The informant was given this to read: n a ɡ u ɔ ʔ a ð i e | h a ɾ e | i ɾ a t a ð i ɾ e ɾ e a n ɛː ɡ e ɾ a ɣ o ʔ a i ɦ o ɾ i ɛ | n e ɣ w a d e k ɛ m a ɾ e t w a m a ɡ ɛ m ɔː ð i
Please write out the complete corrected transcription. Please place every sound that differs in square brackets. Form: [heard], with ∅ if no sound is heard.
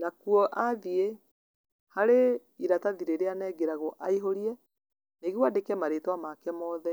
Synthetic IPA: n a [k] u ɔ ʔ a ð i e | h a ɾ e | i ɾ a t a ð i ɾ e ɾ e a n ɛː ɡ e ɾ a ɣ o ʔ a i ɦ o ɾ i ɛ | n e ɣ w a d e k ɛ m a ɾ e t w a m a [k] ɛ m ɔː ð [ɛ]